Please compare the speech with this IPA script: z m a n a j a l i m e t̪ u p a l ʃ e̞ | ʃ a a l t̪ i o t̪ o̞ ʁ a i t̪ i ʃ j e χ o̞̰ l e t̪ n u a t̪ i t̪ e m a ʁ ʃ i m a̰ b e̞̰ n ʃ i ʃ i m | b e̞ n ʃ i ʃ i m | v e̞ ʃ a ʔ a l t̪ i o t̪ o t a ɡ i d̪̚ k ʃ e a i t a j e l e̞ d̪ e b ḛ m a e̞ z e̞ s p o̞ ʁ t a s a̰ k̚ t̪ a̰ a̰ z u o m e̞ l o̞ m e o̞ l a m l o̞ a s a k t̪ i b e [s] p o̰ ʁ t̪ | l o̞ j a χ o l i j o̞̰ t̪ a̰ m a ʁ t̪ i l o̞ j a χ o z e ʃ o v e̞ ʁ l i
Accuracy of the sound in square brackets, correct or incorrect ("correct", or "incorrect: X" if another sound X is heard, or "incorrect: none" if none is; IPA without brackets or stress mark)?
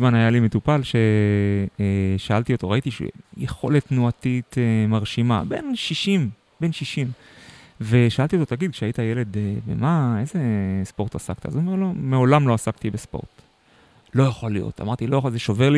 correct